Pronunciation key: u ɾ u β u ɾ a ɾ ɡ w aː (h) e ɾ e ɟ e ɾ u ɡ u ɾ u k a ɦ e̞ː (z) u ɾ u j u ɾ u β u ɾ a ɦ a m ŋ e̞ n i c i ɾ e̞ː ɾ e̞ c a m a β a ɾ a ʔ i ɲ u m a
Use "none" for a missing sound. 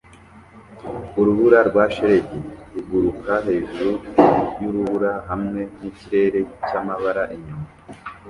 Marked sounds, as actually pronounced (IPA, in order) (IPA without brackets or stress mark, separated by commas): ʃ, ʒ